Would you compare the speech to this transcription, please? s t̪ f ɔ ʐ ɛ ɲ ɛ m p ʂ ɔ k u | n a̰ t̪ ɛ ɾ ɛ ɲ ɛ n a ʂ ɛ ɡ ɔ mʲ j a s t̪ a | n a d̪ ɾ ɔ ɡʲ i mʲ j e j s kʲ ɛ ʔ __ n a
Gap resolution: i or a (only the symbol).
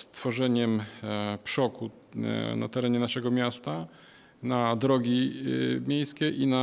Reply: i